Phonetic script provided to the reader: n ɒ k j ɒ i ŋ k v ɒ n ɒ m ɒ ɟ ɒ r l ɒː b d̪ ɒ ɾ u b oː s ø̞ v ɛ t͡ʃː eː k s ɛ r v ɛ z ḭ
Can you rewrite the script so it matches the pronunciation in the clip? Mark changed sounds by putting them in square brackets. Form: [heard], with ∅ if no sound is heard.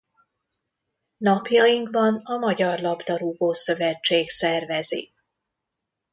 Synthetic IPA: n ɒ [p] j ɒ i ŋ k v ɒ n ɒ m ɒ ɟ ɒ r l [ɒ] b d̪ ɒ ɾ u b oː s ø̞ v ɛ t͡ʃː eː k s ɛ r v ɛ z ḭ